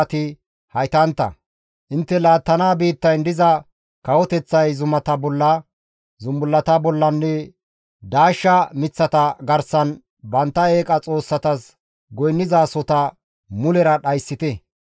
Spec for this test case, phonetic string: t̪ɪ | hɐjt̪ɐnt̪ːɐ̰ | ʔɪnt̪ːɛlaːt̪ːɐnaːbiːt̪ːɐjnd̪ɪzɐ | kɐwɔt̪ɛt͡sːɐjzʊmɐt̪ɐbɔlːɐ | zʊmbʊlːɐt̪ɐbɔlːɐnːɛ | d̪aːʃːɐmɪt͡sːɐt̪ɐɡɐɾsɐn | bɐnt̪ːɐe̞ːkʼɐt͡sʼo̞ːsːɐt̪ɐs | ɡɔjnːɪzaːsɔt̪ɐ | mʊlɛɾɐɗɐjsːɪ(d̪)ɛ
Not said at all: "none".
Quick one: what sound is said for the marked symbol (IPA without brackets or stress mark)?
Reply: t̪